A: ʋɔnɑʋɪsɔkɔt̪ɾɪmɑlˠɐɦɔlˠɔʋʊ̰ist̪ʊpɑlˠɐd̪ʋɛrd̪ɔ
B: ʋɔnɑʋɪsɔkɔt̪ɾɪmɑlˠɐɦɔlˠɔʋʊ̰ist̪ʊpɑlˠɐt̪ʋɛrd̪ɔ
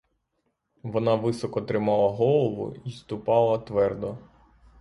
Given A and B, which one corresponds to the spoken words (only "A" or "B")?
B